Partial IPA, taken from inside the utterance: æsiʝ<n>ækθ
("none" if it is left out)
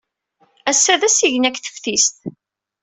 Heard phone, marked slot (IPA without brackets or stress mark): n